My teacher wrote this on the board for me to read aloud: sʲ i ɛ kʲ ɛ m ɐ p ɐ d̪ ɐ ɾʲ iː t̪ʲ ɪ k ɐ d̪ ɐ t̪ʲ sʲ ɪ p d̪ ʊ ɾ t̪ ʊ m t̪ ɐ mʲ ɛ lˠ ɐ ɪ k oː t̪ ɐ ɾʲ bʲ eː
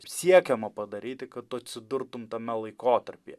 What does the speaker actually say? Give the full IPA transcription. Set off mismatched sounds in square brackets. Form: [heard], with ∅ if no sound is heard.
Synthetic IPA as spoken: sʲ i ɛ kʲ ɛ m ɐ p ɐ d̪ ɐ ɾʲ iː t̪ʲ ɪ k ɐ [t̪] ɐ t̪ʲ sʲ ɪ [∅] d̪ ʊ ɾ t̪ ʊ m t̪ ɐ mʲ ɛ lˠ ɐ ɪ k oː t̪ ɐ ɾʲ [pʲ] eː